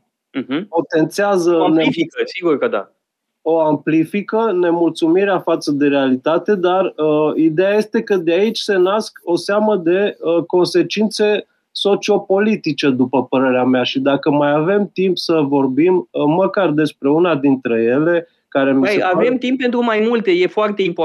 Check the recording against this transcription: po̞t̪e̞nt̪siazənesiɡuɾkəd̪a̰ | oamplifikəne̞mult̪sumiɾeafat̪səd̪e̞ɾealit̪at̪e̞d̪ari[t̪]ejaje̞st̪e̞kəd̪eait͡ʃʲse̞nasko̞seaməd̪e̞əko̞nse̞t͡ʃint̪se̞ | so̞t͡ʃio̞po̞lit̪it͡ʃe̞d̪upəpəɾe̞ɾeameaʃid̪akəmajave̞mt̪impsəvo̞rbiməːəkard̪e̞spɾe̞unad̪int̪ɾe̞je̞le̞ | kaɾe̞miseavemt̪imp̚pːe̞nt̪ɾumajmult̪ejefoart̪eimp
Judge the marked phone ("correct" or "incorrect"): incorrect